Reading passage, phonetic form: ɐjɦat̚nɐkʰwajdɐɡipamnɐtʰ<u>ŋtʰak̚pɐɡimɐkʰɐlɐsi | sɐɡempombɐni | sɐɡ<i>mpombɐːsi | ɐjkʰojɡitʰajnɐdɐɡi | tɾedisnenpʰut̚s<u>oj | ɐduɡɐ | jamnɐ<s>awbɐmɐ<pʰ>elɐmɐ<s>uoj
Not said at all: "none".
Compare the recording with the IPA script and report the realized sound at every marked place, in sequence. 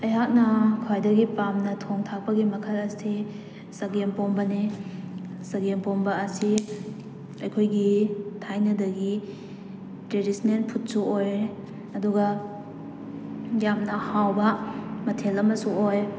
o, e, u, h, tʰ, s

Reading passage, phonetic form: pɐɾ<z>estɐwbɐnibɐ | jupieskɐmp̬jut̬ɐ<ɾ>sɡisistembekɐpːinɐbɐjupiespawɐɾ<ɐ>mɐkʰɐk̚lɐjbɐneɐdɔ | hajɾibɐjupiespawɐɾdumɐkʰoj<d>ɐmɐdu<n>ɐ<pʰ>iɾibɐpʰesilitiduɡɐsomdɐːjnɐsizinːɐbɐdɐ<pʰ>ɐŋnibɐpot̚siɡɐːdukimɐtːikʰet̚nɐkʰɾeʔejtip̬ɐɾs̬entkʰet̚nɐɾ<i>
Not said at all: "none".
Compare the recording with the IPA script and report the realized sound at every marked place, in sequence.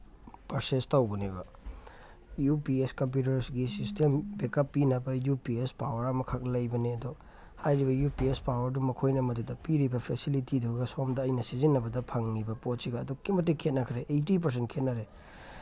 s, ɾ, ɐ, n, d, p, pʰ, e

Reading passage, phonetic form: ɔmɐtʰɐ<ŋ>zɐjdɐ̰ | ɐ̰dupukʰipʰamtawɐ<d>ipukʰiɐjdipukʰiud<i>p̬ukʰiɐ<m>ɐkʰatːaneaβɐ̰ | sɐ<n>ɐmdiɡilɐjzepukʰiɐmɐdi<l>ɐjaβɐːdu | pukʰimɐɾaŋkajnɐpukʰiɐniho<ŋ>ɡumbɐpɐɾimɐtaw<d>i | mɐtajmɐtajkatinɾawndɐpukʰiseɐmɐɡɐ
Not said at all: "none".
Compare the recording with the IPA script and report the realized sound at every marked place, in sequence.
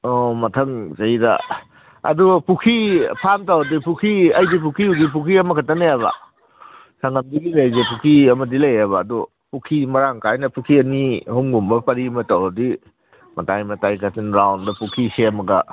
ŋ, d, i, m, ŋ, l, ŋ, d

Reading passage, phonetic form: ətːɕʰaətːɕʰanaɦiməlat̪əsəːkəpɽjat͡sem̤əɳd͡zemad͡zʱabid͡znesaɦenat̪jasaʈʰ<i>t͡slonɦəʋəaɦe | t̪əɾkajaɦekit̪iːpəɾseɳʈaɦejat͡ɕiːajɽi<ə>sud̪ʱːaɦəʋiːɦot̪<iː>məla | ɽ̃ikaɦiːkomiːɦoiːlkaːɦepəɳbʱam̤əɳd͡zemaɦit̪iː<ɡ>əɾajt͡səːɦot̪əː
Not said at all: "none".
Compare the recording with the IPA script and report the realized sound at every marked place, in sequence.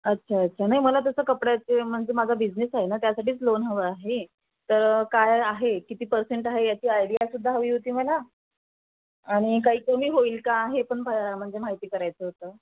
iː, a, iː, k

